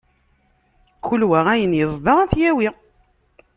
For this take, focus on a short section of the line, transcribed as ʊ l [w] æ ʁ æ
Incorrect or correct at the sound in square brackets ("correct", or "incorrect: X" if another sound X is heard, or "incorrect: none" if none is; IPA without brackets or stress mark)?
correct